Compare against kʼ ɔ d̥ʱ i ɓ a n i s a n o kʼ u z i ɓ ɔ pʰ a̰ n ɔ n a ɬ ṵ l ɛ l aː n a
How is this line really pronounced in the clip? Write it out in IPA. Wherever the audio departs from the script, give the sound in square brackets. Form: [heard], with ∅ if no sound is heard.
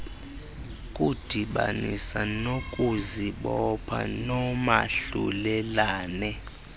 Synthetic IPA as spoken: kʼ [u] d̥ʱ i ɓ a n i s a n o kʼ u z i ɓ ɔ pʰ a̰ n ɔ [m] a ɬ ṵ l ɛ l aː n [ɛ]